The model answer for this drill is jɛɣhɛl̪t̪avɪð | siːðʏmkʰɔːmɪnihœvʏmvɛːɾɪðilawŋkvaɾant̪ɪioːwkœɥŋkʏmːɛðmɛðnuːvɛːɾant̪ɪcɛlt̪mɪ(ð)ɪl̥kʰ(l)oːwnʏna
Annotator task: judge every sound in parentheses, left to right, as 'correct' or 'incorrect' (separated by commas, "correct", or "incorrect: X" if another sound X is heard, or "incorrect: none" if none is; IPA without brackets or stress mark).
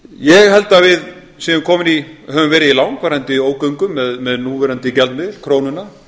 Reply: correct, incorrect: ɾ